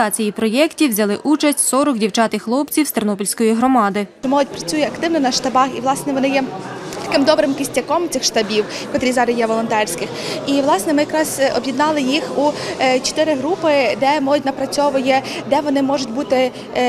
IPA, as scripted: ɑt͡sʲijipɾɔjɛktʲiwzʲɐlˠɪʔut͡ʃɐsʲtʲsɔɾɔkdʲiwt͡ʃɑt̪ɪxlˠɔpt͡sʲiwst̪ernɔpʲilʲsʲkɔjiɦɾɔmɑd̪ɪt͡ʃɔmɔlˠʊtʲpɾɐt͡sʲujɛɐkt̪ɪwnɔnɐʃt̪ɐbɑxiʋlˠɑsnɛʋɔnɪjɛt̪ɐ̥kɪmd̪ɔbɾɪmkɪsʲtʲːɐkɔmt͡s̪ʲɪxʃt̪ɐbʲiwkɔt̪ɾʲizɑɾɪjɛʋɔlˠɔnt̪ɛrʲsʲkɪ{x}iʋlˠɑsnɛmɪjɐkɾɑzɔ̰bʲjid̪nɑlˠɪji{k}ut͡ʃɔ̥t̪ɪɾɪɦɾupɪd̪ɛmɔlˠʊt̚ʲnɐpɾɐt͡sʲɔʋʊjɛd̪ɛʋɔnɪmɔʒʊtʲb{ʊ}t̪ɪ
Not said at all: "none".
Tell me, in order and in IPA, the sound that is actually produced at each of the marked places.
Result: x, x, u

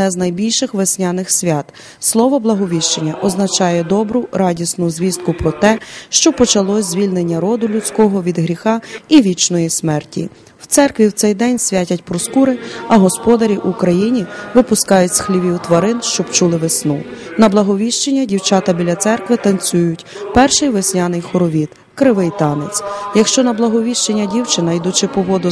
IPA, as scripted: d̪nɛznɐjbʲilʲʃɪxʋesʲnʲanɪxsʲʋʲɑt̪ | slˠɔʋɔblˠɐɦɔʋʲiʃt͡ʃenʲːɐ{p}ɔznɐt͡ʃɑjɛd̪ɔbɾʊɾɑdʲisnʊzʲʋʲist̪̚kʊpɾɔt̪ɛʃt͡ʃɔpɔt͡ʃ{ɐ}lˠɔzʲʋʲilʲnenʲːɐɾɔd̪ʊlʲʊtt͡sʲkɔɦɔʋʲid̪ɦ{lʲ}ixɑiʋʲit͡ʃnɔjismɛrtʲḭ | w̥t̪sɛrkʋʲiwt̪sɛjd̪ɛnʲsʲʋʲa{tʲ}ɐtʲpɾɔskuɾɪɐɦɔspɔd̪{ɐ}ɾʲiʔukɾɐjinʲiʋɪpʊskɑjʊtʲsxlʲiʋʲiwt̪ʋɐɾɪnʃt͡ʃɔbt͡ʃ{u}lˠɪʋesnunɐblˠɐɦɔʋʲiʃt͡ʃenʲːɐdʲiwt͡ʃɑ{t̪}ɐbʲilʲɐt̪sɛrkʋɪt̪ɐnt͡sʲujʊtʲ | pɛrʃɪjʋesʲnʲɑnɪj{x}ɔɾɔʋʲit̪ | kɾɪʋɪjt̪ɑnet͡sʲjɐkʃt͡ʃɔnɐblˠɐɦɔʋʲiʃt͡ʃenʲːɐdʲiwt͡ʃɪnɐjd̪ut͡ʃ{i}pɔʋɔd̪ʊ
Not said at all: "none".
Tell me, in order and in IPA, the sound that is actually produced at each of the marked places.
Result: ʔ, ɐ, ɾʲ, tʲ, ɐ, u, t̪, x, ɪ

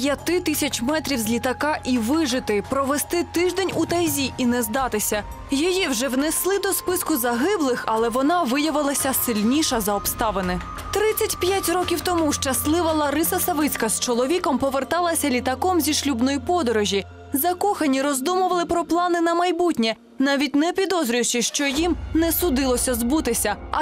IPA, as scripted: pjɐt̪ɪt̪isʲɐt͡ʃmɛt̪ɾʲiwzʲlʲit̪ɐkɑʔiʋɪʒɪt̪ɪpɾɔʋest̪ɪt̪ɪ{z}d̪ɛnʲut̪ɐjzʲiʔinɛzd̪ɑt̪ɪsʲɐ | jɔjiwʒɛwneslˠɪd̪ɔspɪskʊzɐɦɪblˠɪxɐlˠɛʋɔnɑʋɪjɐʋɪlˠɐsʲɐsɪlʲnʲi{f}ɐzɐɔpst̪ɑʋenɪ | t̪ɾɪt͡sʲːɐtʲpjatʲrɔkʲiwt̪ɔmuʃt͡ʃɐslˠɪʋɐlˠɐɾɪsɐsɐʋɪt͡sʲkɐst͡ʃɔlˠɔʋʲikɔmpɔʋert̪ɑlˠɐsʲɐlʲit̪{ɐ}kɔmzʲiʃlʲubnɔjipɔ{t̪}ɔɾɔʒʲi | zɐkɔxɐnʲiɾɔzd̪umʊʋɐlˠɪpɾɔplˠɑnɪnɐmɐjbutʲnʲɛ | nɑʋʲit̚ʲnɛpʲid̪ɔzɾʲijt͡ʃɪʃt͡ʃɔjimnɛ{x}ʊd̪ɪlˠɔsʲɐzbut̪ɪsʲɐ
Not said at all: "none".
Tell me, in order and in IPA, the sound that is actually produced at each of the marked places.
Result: ʒ, ʃ, ɐ, d̪, s

